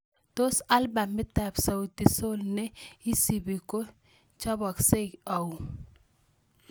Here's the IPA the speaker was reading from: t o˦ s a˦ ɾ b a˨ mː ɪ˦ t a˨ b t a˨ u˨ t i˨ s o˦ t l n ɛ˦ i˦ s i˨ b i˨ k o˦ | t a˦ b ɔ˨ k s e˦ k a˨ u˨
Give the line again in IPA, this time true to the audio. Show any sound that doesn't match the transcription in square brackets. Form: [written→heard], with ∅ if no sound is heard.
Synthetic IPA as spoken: t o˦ s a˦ [ɾ→l] b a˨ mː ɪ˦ t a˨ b [t→s] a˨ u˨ t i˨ s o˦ [t→∅] l n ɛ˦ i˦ s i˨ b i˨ k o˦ | [t→t͡ʃ] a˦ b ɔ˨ k s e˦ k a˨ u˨